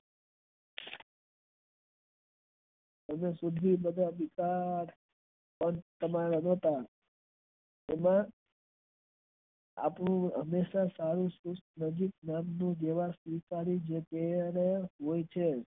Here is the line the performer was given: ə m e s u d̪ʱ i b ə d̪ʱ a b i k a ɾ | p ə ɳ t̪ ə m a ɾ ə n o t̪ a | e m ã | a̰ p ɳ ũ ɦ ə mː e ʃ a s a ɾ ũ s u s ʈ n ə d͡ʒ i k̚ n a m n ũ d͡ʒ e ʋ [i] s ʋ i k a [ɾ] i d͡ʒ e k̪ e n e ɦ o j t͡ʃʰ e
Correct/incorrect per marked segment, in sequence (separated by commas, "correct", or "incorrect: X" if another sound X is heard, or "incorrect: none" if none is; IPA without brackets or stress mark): incorrect: a, correct